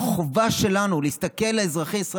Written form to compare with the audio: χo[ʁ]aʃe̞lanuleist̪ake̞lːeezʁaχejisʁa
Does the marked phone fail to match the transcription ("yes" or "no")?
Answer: yes